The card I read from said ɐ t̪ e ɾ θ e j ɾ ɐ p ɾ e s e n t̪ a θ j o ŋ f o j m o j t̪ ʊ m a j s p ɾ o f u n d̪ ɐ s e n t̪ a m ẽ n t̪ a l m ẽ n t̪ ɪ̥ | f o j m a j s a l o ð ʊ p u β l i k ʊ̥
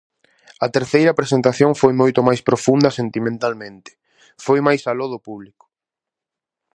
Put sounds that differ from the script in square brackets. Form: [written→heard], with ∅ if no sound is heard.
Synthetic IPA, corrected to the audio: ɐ t̪ e ɾ θ e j ɾ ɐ p ɾ e s e n t̪ a θ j o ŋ f o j m o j t̪ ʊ m a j s p ɾ o f u n d̪ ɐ s e n t̪ [a→i] m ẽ n t̪ a l m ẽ n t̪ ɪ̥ | f o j m a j s a l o ð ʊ p u β l i k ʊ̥

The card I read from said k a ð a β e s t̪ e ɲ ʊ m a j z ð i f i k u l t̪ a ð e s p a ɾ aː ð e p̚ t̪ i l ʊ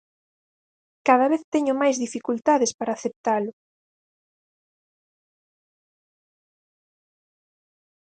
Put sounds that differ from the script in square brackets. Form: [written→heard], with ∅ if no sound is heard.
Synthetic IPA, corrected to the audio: k a ð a β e [s→θ] t̪ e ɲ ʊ m a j z ð i f i k u l t̪ a ð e s p a ɾ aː [ð→θ] e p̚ t̪ [i→a] l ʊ

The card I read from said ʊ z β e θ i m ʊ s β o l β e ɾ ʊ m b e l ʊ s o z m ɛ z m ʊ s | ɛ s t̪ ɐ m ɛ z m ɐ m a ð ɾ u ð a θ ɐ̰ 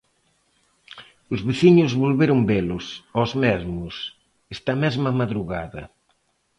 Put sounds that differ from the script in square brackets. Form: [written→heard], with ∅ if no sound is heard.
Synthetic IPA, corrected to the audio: ʊ z β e θ i [m→ɲ] ʊ [s→z] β o l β e ɾ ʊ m b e l ʊ s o z m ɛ z m ʊ s | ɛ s t̪ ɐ m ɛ z m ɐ m a ð ɾ u [ð→ɣ] a [θ→ð] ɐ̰

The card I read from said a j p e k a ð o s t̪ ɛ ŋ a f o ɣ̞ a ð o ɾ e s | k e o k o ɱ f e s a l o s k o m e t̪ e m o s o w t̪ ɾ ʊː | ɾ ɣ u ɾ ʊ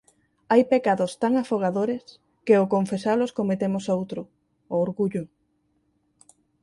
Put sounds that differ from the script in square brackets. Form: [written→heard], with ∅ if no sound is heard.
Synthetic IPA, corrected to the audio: a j p e k a ð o s t̪ [ɛ→a] ŋ a f o ɣ̞ a ð o ɾ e s | k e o k o ɱ f e s a l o s k o m e t̪ e m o s o w t̪ ɾ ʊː | ɾ ɣ u [ɾ→ʎ] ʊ

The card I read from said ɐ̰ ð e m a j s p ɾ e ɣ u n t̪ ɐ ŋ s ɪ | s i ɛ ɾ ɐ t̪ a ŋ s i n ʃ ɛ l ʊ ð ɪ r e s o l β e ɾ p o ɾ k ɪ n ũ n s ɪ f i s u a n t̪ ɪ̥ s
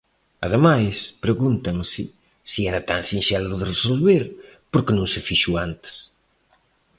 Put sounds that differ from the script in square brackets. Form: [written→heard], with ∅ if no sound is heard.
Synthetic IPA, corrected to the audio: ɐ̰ ð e m a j s p ɾ e ɣ u n t̪ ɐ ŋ s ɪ | s i ɛ ɾ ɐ t̪ a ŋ s i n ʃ ɛ l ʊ ð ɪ r e s o l β e ɾ p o ɾ k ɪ n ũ [n→ŋ] s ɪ f i [s→ʃ] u a n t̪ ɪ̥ s

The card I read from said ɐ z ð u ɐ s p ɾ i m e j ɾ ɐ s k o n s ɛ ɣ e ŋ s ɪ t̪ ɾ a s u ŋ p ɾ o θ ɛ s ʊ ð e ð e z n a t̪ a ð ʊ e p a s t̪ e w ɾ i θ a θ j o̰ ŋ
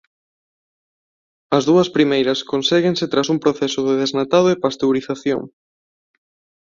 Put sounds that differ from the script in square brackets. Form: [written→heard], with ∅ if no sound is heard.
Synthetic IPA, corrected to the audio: ɐ z ð u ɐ s p ɾ i m e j ɾ ɐ s k o n s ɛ ɣ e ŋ s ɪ t̪ ɾ a s u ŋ p ɾ o θ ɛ s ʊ ð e ð e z n a t̪ a ð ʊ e p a s t̪ e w ɾ i θ a θ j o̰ ŋ

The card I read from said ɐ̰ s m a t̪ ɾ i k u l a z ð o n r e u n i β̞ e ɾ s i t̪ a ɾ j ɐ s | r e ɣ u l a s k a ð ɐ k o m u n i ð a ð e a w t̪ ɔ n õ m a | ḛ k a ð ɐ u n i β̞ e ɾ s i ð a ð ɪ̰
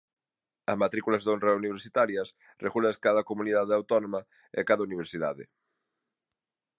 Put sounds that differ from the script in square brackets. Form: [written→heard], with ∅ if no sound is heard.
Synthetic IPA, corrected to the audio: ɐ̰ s m a t̪ ɾ i k u l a z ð o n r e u n i β̞ e ɾ s i t̪ a ɾ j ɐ s | r e ɣ u l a s k a ð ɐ k o m u n i ð a ð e a w t̪ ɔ n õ m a | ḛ k a ð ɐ u n i β̞ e ɾ s i ð a ð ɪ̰

